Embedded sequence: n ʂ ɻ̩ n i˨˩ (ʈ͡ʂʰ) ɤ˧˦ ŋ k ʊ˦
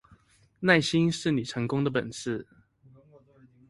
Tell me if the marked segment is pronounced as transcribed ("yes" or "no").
yes